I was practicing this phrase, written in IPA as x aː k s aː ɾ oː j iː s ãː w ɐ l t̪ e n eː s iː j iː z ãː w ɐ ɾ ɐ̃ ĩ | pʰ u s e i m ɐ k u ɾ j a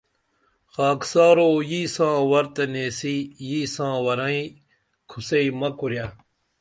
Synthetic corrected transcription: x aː k s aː ɾ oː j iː s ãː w ɐ ɾ t̪ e n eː s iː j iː s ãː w ɐ ɾ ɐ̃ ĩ | kʰ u s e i m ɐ k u ɾ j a